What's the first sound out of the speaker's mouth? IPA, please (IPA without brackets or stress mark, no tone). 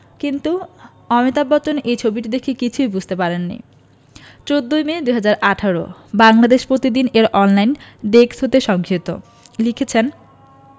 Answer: k